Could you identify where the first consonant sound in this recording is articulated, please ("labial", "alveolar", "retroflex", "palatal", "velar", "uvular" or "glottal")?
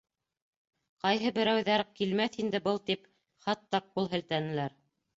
uvular